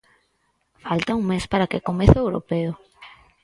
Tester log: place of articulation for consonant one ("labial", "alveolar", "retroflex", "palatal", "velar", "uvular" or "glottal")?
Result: labial